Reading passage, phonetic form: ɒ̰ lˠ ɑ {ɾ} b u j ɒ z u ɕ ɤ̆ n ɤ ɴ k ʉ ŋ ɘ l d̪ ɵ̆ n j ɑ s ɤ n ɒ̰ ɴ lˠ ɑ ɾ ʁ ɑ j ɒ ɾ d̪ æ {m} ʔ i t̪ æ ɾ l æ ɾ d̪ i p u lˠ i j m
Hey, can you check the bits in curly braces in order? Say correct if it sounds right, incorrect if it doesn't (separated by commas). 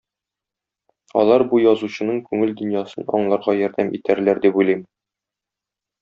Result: correct, correct